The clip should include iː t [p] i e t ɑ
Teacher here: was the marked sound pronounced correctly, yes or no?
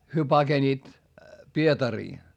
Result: yes